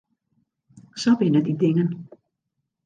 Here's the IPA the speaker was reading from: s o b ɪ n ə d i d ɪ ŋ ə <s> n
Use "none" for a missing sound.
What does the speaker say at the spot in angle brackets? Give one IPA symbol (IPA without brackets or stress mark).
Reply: none